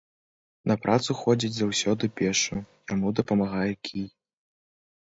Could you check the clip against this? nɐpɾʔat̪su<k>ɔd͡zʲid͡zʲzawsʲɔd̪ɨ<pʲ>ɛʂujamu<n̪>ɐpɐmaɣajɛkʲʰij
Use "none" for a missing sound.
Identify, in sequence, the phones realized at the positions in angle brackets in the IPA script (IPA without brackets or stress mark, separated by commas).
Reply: x, pʲ, d̪